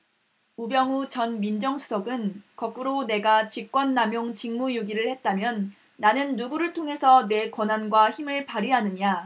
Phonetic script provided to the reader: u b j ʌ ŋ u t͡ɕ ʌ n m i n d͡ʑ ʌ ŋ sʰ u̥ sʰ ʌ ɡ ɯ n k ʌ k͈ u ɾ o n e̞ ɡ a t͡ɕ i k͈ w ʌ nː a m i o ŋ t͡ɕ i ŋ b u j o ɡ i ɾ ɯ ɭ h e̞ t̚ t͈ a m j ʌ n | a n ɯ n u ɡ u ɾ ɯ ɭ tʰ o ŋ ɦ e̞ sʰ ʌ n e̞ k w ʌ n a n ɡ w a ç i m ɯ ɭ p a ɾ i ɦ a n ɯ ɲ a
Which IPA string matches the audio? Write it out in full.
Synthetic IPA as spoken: u b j ʌ ŋ u t͡ɕ ʌ n m i n d͡ʑ ʌ ŋ sʰ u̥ sʰ ʌ ɡ ɯ n k ʌ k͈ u ɾ o n e̞ ɡ a t͡ɕ i k͈ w ʌ nː a m j o ŋ t͡ɕ i ŋ m u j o ɡ i ɾ ɯ ɭ h e̞ t̚ t͈ a m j ʌ nː | a n ɯ nː u ɡ u ɾ ɯ ɭ tʰ o ŋ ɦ e̞ sʰ ʌ n e̞ k w ʌ n a n ɡ w a ç i m ɯ ɭ p a ɾ i ɦ a n ɯ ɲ a

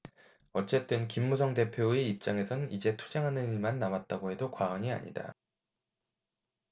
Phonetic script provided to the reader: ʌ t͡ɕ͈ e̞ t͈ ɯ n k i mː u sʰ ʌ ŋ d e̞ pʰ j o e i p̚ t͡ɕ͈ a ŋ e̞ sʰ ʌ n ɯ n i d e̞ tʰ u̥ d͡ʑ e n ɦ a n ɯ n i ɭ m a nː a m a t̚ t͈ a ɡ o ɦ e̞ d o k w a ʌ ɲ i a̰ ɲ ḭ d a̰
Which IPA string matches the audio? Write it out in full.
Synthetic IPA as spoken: ʌ t͡ɕ͈ e̞ t͈ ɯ n k i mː u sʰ ʌ ŋ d e̞ pʰ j o e i p̚ t͡ɕ͈ a ŋ e̞ sʰ ʌ n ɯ n i d͡ʑ e̞ tʰ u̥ d͡ʑ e ŋ ɦ a n ɯ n i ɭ m a nː a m a t̚ t͈ a ɡ o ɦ e̞ d o k w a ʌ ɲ i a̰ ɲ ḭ d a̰

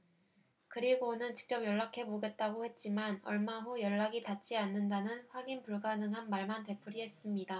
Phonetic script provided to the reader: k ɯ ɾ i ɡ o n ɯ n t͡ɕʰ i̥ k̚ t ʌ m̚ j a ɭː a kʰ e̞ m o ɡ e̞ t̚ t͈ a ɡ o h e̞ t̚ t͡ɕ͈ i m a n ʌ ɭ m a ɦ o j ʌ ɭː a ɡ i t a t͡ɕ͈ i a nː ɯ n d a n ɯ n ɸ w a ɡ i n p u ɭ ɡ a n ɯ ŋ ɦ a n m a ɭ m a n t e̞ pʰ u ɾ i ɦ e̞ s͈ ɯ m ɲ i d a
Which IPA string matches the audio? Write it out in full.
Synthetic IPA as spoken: k ɯ ɾ i ɡ o n ɯ n t͡ɕ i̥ k̚ t͡ɕ͈ ʌ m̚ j ʌ ɭː a kʰ e̞ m o ɡ e̞ t̚ t͈ a ɡ o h e̞ t̚ t͡ɕ͈ i m a n ʌ ɭ m a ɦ o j ʌ ɭː a ɡ i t a t͡ɕ͈ i a nː ɯ n d a n ɯ n ɸ w a ɡ i n p u ɭ ɡ a n ɯ ŋ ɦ a n m a ɭ m a n t e̞ pʰ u ɾ i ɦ e̞ s͈ ɯ m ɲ i d a

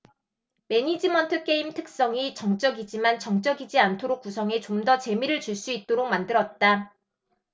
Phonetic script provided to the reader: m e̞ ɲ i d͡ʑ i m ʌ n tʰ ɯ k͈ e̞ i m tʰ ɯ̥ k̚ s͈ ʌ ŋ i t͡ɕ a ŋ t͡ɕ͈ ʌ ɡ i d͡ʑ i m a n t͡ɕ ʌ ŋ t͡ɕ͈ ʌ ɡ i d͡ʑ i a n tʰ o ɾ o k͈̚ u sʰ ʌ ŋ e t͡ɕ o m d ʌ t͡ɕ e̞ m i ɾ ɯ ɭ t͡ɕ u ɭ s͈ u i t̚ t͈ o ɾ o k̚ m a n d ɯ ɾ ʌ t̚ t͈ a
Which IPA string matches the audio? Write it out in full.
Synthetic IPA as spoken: m e̞ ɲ i d͡ʑ i m ʌ n tʰ ɯ k͈ e̞ i m tʰ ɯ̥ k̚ s͈ ʌ ŋ i t͡ɕ ʌ ŋ t͡ɕ͈ ʌ ɡ i d͡ʑ i m a n t͡ɕ ʌ ŋ t͡ɕ͈ ʌ ɡ i d͡ʑ i a n tʰ o ɾ o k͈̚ u sʰ ʌ ŋ e t͡ɕ o m d ʌ t͡ɕ e̞ m i ɾ ɯ ɭ t͡ɕ u ɭ s͈ u i t̚ t͈ o ɾ o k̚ m a n d ɯ ɾ ʌ t̚ t͈ a

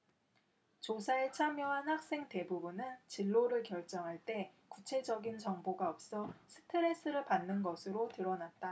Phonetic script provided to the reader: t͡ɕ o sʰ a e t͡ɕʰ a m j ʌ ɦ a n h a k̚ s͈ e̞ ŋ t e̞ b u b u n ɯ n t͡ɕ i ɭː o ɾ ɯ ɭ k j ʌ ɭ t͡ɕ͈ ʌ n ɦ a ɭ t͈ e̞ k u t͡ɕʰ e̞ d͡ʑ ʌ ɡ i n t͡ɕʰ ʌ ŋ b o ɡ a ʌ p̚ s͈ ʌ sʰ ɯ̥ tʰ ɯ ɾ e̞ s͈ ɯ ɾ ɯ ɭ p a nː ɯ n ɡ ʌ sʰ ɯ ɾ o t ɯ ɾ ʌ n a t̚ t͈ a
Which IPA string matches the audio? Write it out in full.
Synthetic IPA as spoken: t͡ɕ o sʰ a e t͡ɕʰ a m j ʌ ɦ a n h a k̚ s͈ e̞ ŋ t e̞ b u b u n ɯ n t͡ɕ i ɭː o ɾ ɯ ɭ k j ʌ ɭ t͡ɕ͈ ʌ ŋ ɦ a ɭ t͈ e̞ k u t͡ɕʰ e̞ d͡ʑ ʌ ɡ i n t͡ɕ ʌ ŋ b o ɡ a ʌ p̚ s͈ ʌ sʰ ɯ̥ tʰ ɯ ɾ e̞ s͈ ɯ ɾ ɯ ɭ p a nː ɯ n ɡ ʌ sʰ ɯ ɾ o t ɯ ɾ ʌ n a t̚ t͈ a

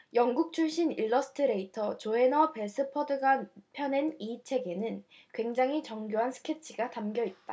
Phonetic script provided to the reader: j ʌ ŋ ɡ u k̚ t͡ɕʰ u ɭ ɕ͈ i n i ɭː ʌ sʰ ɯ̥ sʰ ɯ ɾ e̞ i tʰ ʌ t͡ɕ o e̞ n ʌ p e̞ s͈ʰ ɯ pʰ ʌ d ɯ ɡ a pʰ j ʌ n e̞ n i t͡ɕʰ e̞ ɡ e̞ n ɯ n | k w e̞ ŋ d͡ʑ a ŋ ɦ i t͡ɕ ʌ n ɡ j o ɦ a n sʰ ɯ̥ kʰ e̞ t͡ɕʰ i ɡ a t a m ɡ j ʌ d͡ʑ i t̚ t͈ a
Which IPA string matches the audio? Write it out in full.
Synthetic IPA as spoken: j ʌ ŋ ɡ u k̚ t͡ɕʰ u ɭ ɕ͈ i n i ɭː ʌ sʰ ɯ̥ tʰ ɯ ɾ e̞ i tʰ ʌ t͡ɕ o e̞ n ʌ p e̞ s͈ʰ ɯ pʰ ʌ d ɯ ɡ a pʰ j ʌ n e̞ n i t͡ɕʰ e̞ ɡ e̞ n ɯ n | k w e̞ ŋ d͡ʑ a ŋ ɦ i t͡ɕ ʌ ŋ ɡ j o ɦ a n sʰ ɯ̥ kʰ e̞ t͡ɕʰ i ɡ a t a m ɡ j ʌ i t̚ t͈ a

